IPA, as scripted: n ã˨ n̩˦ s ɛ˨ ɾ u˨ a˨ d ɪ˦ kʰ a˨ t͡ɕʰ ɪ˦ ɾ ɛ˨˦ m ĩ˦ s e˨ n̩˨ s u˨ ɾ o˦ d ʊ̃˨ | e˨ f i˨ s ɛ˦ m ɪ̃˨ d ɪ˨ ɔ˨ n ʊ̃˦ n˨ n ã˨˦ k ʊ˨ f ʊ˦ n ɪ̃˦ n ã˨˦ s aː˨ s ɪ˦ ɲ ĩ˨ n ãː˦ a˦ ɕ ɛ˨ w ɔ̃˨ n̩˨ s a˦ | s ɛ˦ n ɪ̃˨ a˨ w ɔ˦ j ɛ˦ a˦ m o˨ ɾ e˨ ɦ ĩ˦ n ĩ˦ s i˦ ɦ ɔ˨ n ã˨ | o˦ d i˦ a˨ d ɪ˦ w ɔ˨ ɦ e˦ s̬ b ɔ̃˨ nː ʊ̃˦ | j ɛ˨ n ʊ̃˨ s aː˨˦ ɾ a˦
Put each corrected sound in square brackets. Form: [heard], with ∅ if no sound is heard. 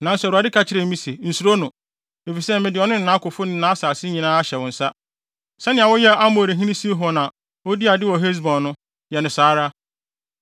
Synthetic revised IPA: n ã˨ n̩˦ s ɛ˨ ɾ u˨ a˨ d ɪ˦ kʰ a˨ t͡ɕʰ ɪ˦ ɾ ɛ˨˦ m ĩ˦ s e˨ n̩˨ s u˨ ɾ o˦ [n] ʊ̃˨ | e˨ f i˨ s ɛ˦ m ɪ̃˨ d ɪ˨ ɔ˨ n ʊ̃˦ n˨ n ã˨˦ k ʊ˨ f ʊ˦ n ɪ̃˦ n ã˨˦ s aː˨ s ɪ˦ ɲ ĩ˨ n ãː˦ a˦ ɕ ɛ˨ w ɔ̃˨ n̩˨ s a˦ | s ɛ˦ n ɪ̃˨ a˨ w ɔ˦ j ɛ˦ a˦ m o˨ ɾ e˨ ɦ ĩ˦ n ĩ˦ s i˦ ɦ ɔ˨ n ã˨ | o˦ d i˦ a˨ d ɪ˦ w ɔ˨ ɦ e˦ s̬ b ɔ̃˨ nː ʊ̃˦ | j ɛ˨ n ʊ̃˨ s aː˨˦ ɾ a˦